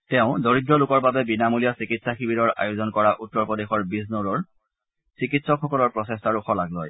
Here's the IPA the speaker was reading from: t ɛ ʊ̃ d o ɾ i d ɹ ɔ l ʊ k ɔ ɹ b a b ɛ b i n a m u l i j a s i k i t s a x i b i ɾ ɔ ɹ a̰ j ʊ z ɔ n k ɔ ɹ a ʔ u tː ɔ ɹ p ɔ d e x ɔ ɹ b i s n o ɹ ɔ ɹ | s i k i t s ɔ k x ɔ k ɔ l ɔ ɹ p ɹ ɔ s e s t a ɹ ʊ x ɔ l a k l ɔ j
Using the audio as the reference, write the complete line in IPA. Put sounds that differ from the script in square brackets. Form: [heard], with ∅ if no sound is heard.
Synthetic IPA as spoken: t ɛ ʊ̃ d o [ɹ] i d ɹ ɔ l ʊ k ɔ ɹ b a b ɛ b i n a m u l i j a s i k i t s a x i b i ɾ ɔ ɹ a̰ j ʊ z ɔ n k ɔ ɹ a ʔ u tː ɔ ɹ p ɔ d e x ɔ ɹ b i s n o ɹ ɔ ɹ | s i k i t s ɔ k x ɔ k ɔ l ɔ ɹ p ɹ ɔ s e s t a ɹ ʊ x ɔ l a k l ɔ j